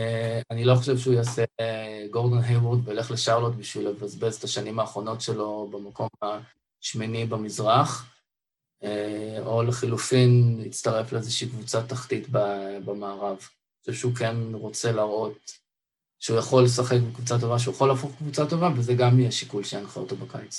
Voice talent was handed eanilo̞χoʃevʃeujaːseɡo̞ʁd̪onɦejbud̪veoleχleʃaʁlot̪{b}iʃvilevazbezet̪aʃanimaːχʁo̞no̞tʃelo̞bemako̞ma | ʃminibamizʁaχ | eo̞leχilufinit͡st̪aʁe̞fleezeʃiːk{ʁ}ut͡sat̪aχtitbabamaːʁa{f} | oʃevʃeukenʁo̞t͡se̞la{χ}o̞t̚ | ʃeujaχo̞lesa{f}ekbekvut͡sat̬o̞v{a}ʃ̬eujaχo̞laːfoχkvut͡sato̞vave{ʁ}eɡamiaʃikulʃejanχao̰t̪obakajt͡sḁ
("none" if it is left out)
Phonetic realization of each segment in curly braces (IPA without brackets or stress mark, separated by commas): b, v, v, ʁ, χ, a, z